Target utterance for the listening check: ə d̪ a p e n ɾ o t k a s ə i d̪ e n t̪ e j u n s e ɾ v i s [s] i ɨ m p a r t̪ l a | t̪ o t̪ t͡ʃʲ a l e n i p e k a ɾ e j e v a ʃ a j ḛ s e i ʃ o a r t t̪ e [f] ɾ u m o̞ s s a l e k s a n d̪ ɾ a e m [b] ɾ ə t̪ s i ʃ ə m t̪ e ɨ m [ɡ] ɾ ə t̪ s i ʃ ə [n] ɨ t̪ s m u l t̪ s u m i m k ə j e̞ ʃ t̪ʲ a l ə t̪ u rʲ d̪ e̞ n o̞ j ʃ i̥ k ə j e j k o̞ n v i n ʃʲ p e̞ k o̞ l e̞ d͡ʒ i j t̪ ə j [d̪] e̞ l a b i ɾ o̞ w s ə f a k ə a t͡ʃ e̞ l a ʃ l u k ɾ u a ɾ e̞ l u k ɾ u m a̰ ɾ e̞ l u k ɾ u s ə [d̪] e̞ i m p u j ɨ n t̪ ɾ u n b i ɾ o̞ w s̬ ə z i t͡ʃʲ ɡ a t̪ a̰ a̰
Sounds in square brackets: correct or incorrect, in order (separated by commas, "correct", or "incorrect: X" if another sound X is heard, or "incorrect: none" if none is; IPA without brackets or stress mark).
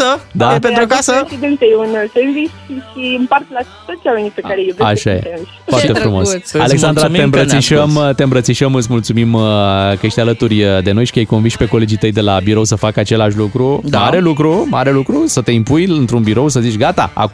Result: incorrect: ʃ, correct, correct, incorrect: b, incorrect: m, correct, incorrect: t̪